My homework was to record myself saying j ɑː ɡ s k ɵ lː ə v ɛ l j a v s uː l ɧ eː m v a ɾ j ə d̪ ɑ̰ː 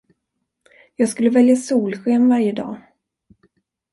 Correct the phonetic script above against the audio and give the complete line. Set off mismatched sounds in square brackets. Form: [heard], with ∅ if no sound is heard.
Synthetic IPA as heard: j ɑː ɡ s k ɵ lː ə v ɛ l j a [∅] s uː l ɧ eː m v a ɾ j ə d̪ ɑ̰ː